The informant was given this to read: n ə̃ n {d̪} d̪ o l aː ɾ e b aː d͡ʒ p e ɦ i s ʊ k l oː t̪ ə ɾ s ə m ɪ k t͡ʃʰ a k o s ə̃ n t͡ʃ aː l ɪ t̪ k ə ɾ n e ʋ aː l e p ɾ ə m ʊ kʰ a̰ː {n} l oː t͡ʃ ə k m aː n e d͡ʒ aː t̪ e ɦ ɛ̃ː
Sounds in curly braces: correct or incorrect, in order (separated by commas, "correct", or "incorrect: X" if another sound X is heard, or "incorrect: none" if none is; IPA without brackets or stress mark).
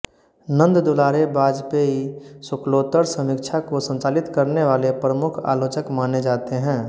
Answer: correct, incorrect: none